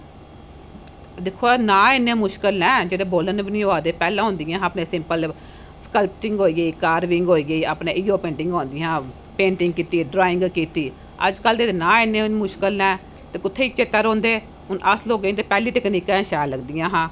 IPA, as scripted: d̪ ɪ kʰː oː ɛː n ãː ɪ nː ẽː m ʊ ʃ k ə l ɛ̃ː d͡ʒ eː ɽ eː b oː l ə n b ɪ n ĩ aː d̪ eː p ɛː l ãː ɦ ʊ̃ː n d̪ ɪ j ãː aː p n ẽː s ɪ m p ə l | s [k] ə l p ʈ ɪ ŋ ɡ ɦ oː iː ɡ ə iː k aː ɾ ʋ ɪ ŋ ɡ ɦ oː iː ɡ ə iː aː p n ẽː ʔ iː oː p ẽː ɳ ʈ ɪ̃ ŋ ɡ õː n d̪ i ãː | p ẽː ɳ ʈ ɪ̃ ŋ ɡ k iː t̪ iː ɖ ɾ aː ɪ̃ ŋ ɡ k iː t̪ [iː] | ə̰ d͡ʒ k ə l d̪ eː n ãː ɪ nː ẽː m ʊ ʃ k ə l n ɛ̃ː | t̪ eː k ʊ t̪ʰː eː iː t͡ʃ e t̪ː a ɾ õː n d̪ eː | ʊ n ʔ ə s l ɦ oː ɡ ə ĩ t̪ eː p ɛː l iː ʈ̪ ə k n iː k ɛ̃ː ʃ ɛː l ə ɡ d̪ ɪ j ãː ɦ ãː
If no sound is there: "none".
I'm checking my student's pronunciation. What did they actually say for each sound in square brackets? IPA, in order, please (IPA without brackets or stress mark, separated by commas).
k, iː